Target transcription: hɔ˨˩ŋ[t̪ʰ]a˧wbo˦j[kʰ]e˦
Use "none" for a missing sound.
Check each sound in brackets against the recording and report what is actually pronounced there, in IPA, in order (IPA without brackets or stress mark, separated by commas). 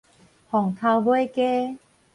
t̪ʰ, k